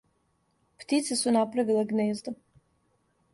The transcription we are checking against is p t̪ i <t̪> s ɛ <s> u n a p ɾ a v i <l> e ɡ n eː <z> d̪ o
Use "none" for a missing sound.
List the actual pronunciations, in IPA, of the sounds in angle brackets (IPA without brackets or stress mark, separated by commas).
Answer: t̪, s, l, z